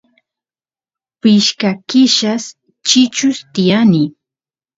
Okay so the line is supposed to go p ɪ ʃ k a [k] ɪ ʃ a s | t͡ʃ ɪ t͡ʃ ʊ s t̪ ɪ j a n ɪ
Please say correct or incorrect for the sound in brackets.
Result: correct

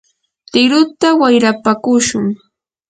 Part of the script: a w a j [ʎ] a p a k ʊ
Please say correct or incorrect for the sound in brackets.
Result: incorrect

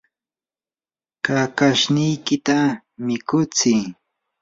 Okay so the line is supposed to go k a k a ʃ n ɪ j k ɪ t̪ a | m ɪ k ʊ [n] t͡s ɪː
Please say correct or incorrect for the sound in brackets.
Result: incorrect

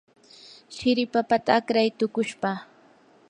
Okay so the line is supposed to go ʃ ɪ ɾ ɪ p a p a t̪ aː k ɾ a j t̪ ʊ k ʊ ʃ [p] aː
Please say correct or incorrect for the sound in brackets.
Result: correct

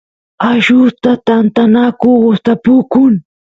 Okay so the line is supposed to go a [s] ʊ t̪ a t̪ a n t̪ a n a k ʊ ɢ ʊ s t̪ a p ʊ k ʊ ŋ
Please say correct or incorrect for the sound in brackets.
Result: incorrect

